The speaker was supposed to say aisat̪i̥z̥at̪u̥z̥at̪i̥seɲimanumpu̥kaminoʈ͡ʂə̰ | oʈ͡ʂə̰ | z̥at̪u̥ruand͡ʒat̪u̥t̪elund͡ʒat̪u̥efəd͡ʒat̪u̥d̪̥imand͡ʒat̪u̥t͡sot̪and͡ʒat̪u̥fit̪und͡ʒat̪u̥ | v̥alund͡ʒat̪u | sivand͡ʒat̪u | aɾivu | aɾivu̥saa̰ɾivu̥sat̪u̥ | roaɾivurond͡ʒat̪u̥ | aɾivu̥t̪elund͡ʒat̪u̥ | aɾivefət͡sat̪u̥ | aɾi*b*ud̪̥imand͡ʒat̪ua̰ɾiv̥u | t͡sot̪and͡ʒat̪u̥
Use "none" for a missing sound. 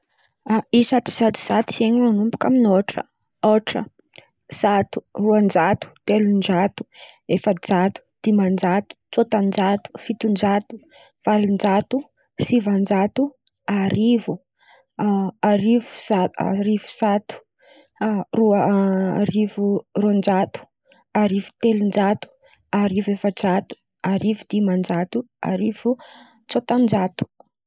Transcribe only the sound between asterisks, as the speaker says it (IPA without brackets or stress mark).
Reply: v